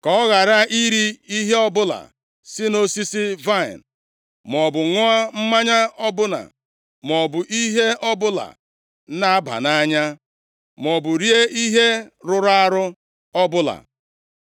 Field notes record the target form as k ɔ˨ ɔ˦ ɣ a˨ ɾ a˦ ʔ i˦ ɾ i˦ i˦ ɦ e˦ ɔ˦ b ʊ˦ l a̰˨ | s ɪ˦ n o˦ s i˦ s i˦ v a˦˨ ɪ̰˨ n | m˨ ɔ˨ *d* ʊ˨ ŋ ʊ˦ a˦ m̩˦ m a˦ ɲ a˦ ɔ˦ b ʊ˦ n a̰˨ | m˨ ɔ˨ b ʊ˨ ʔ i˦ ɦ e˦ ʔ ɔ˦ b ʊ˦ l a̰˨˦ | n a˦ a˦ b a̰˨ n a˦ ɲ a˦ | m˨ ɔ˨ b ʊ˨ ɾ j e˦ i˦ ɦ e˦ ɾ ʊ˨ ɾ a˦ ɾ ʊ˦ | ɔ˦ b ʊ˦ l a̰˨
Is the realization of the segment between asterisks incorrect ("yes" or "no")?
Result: yes